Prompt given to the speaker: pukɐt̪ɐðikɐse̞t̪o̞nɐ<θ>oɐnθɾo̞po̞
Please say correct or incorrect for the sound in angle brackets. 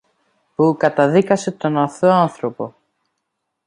correct